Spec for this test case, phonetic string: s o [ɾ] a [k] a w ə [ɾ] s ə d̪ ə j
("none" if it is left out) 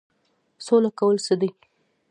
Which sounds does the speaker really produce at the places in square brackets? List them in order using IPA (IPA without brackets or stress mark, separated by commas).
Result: l, k, l